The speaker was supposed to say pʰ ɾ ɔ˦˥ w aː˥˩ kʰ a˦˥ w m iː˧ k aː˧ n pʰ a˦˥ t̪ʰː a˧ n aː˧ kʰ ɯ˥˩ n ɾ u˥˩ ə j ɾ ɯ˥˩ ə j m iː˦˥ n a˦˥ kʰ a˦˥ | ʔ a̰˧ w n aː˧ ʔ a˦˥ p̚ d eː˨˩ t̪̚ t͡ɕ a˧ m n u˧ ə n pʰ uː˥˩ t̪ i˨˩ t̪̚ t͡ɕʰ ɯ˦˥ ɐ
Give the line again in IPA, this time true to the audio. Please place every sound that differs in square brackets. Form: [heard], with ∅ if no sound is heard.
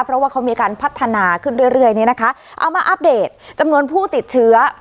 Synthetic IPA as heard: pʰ ɾ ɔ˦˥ w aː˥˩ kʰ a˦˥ w m iː˧ k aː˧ n pʰ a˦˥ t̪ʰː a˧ n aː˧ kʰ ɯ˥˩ n ɾ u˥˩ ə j ɾ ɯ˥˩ ə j [n] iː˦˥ n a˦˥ kʰ a˦˥ | ʔ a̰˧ w [m] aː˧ ʔ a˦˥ p̚ d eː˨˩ t̪̚ t͡ɕ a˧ m n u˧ ə n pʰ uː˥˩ t̪ i˨˩ t̪̚ t͡ɕʰ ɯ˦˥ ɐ